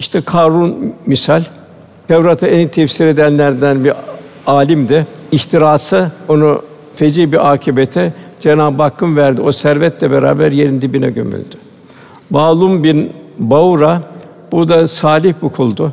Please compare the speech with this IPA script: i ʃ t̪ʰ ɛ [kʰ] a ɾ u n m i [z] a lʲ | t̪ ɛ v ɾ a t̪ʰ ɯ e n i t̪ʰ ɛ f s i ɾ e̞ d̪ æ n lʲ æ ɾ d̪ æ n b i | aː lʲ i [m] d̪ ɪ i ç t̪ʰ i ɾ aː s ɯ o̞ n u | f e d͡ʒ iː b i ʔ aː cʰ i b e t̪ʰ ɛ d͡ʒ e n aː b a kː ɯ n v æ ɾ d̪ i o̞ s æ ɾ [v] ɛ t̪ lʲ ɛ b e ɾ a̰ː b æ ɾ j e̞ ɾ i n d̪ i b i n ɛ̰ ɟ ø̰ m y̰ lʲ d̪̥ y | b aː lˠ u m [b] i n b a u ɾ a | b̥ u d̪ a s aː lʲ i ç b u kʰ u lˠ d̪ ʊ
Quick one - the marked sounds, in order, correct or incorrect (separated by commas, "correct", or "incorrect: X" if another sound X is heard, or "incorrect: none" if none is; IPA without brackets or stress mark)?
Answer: correct, incorrect: s, correct, correct, correct